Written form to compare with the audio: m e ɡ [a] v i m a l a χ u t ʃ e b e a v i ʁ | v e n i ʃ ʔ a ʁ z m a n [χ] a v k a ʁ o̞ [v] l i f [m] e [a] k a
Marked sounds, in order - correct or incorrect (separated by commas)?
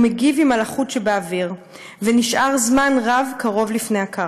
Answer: incorrect, incorrect, correct, incorrect, correct